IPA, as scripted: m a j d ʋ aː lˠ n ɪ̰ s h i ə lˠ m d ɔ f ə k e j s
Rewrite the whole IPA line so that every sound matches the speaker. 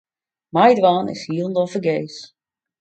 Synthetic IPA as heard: m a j d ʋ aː n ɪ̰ s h i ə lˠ n d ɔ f ə ɡ e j s